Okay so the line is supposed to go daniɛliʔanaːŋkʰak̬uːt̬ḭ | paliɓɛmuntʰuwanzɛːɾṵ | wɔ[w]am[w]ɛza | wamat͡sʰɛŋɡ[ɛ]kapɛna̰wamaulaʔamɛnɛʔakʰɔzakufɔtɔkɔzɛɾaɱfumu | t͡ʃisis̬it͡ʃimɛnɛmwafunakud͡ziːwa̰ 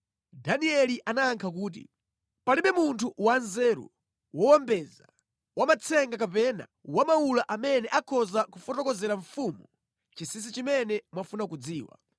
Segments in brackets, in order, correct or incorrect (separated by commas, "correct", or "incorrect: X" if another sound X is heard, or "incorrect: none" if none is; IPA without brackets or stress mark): correct, incorrect: b, incorrect: a